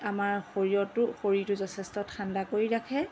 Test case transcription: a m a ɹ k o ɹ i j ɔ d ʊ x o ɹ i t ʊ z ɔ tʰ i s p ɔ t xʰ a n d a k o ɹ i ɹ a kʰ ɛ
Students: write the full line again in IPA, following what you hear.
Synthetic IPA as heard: a m a ɹ x o ɹ i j ɔ t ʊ x o ɹ i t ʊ z ɔ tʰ ɛ s t ɔ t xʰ a n d a k o ɹ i ɹ a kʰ ɛ

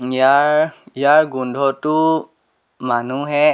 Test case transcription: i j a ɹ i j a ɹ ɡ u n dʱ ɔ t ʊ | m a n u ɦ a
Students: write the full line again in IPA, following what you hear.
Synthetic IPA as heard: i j a ɹ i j a ɹ ɡ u n dʱ ɔ t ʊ | m a n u ɦ ɛ

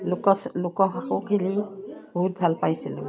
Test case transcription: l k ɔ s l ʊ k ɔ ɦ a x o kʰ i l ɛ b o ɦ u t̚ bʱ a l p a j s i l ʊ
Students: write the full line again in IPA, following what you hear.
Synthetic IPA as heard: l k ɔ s l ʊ k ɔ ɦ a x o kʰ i l i b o ɦ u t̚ bʱ a l p a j s i l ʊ

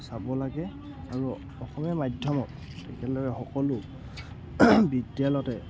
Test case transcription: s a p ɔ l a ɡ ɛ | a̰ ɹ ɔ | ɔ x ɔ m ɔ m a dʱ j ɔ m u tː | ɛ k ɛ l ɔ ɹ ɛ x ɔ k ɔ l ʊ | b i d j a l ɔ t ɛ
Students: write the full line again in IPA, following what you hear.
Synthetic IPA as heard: s a b ɔ l a ɡ ɛ | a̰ ɹ u | ɔ x ɔ m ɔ m a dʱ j ɔ m ɔ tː | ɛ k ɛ l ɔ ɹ ɛ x ɔ k ɔ l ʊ | b i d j a l ɔ t ɛ

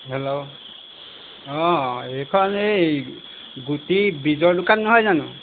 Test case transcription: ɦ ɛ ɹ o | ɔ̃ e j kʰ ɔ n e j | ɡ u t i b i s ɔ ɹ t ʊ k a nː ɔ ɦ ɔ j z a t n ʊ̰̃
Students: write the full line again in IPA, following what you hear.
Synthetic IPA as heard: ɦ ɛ l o | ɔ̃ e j kʰ ɔ n e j | ɡ u t i b i z ɔ ɹ d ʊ k a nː ɔ ɦ ɔ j z a n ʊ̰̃

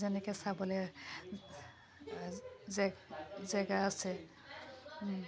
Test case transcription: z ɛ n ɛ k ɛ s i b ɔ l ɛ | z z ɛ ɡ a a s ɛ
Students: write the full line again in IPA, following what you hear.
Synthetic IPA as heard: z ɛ n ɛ k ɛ s a b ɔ l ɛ | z z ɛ ɡ a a s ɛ

